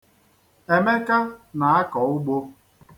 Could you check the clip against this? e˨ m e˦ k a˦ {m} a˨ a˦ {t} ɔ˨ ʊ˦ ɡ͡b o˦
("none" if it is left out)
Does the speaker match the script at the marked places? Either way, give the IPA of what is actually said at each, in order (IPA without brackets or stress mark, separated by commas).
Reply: n, k